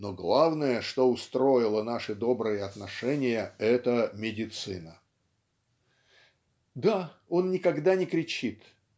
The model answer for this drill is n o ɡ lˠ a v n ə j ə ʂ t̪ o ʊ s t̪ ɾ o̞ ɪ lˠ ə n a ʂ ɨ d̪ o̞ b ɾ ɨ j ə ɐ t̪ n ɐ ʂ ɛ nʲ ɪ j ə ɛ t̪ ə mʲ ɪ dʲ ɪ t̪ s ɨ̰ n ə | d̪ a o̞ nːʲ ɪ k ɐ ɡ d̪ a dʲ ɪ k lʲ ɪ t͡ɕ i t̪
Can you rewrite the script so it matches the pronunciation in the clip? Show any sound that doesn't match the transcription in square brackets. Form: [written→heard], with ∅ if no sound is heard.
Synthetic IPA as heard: n o ɡ lˠ a v n ə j ə ʂ t̪ o ʊ s t̪ ɾ o̞ ɪ lˠ ə n a ʂ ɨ d̪ o̞ b ɾ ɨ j ə ɐ t̪ n ɐ ʂ ɛ nʲ ɪ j ə ɛ t̪ ə mʲ ɪ dʲ ɪ t̪ s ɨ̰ n ə | d̪ a o̞ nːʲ ɪ k ɐ ɡ d̪ a [dʲ→nʲ] ɪ k [lʲ→ɾʲ] ɪ t͡ɕ i t̪